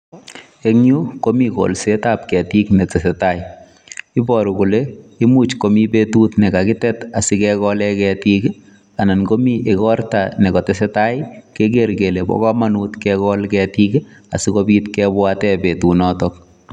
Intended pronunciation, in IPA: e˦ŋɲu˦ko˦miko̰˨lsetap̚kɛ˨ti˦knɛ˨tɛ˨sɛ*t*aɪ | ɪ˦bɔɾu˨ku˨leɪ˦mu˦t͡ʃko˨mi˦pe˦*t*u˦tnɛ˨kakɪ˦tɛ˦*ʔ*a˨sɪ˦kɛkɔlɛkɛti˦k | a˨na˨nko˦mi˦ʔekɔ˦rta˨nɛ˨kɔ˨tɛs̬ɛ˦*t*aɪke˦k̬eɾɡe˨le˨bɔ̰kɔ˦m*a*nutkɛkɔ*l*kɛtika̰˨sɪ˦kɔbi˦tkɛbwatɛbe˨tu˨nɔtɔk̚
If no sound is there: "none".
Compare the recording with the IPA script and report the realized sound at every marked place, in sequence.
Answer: t, t, t, t, a, l

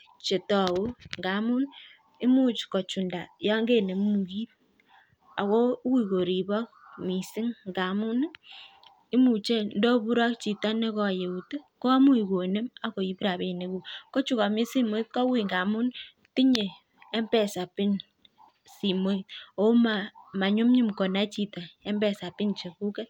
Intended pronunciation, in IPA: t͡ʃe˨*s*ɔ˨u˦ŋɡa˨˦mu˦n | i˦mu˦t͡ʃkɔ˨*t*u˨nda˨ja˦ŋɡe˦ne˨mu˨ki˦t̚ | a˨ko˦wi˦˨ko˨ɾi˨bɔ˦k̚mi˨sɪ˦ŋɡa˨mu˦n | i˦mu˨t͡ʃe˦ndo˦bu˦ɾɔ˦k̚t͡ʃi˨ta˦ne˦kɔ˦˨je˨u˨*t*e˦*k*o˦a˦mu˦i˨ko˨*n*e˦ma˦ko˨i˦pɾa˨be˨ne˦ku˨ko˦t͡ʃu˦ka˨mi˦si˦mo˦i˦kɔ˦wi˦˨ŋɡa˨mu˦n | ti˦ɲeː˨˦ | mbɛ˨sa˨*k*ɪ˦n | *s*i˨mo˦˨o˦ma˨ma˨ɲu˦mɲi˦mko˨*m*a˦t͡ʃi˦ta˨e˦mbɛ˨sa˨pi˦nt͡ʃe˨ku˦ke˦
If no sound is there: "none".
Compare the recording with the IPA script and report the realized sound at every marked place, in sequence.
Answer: t, t͡ʃ, t, k, n, p, s, n

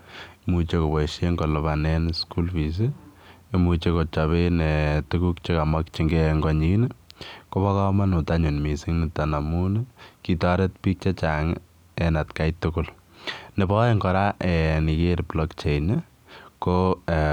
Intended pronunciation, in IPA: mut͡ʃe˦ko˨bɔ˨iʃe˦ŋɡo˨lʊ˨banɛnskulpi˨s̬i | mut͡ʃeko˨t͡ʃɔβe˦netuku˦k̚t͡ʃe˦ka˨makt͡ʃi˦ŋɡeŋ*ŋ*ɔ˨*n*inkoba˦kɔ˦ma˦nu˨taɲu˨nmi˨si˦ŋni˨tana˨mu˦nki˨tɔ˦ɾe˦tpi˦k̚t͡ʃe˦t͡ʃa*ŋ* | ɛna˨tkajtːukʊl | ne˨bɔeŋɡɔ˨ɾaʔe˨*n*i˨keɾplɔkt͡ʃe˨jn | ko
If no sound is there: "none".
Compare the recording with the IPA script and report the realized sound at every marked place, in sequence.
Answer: ɡ, ɲ, ŋ, n

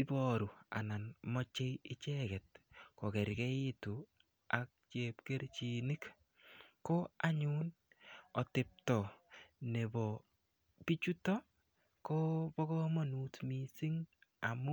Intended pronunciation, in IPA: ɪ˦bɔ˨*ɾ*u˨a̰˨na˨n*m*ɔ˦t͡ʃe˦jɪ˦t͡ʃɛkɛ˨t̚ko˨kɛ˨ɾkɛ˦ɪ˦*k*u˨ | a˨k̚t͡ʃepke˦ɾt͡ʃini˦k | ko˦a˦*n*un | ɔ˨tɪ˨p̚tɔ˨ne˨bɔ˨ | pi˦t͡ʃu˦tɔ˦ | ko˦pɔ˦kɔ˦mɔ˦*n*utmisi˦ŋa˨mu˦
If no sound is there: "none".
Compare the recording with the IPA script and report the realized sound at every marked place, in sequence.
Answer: ɾ, m, t, ɲ, n

